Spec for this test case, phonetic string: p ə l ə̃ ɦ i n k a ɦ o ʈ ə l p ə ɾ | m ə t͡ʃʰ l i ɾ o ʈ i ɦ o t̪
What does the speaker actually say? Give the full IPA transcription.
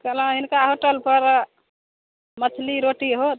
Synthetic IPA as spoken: k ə l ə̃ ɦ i n k a ɦ o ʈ ə l p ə ɾ | m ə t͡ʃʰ l i ɾ o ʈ i ɦ o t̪